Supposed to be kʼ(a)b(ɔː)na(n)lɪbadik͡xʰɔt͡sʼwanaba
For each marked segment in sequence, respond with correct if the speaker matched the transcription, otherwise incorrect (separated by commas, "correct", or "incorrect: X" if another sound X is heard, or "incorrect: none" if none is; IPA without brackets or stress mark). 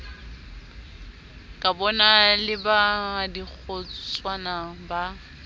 correct, incorrect: ɔ, incorrect: none